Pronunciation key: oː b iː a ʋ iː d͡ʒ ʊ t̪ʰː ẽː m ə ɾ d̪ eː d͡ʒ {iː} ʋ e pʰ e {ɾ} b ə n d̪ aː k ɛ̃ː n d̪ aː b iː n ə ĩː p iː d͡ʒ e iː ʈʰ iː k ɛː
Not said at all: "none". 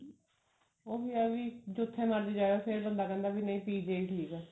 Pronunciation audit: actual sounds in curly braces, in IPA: aː, ɾ

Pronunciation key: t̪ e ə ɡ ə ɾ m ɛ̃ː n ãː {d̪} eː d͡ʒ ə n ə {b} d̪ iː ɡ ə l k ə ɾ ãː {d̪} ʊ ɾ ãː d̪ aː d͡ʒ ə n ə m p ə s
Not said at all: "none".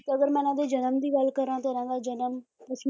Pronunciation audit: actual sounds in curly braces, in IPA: d̪, m, t̪

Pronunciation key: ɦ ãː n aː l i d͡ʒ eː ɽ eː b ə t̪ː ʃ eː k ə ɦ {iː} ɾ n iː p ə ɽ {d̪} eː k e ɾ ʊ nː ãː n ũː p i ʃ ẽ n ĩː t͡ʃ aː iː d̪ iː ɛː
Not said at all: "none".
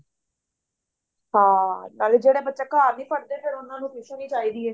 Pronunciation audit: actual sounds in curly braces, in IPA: aː, d̪

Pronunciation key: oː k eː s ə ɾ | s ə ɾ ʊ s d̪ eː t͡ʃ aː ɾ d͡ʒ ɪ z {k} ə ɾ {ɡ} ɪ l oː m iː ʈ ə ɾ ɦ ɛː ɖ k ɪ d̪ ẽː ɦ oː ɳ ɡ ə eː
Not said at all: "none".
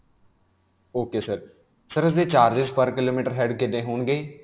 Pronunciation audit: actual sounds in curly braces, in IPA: p, k

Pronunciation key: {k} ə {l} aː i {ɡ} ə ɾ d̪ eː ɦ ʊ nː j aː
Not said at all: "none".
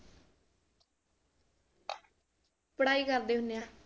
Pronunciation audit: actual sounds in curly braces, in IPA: p, ɽ, k

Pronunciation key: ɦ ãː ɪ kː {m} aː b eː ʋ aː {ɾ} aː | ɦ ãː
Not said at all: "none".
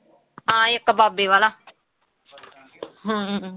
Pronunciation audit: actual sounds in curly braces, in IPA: b, l

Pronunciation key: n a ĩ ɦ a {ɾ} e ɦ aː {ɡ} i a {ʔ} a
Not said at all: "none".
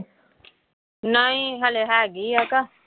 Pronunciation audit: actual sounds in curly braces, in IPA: l, ɡ, k

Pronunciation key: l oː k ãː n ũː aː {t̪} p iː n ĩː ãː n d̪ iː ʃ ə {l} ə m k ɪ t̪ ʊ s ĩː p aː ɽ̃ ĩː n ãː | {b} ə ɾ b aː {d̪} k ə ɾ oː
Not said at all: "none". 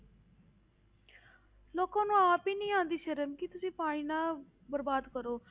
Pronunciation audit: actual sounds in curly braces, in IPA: none, ɾ, b, d̪

